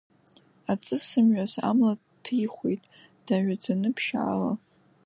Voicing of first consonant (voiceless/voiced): voiceless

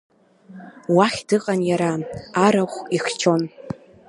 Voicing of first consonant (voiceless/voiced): voiced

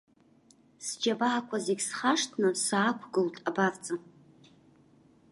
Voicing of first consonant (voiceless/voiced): voiceless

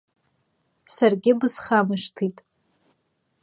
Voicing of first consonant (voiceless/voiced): voiceless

